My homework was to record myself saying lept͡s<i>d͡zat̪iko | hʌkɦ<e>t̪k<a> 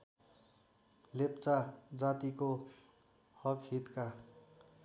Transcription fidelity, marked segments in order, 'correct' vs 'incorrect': incorrect: a, incorrect: i, correct

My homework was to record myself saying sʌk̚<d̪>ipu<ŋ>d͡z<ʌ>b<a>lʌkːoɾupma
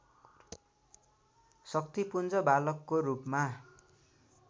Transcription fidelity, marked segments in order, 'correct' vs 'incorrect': incorrect: t̪, incorrect: n, correct, correct

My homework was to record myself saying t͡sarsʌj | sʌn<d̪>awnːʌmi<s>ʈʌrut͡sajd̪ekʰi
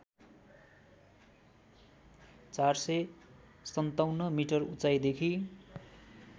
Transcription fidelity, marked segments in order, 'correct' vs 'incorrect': incorrect: t̪, incorrect: none

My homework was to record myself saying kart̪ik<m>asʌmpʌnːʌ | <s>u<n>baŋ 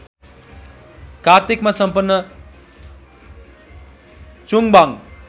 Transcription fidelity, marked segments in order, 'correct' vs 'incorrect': correct, incorrect: t͡s, incorrect: ŋ

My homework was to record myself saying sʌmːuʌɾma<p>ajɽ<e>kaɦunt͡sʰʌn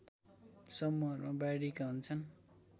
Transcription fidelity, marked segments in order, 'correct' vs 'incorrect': incorrect: b, incorrect: i

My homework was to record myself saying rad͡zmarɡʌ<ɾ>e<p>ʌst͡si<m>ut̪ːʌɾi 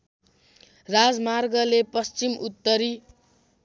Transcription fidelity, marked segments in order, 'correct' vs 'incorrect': incorrect: l, correct, correct

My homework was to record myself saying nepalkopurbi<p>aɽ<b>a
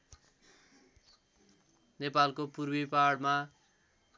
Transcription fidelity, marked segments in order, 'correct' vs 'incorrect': correct, incorrect: m

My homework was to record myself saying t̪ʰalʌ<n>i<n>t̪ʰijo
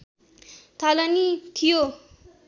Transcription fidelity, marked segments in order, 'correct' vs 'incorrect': correct, incorrect: none

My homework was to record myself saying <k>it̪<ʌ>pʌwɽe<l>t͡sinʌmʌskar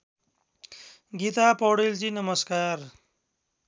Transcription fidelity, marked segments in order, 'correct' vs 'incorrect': incorrect: ɡ, incorrect: a, correct

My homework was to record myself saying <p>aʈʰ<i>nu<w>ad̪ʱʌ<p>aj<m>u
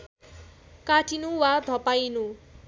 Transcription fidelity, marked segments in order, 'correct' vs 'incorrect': incorrect: k, correct, correct, correct, incorrect: n

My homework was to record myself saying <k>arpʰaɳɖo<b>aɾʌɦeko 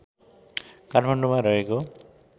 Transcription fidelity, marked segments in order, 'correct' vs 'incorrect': correct, incorrect: m

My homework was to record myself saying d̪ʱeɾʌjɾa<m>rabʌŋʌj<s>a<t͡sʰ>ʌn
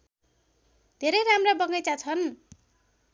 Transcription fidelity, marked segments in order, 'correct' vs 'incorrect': correct, incorrect: t͡s, correct

